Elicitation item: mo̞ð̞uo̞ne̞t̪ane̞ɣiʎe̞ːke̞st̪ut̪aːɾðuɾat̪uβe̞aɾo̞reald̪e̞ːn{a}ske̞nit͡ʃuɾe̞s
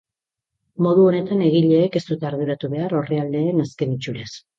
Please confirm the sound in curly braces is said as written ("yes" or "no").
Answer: yes